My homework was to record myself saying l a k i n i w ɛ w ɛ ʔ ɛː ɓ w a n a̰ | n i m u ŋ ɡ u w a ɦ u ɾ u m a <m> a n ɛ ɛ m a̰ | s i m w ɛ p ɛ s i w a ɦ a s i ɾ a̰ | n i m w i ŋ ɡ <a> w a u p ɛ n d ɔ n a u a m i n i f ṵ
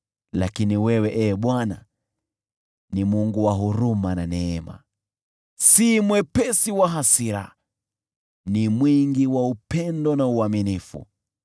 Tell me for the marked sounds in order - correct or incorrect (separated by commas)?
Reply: incorrect, incorrect